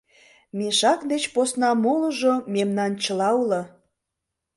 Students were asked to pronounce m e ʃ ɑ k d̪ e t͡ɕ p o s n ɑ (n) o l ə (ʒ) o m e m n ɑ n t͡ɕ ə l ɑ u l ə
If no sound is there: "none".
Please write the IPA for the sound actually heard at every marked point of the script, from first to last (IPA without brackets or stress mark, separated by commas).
m, ʒ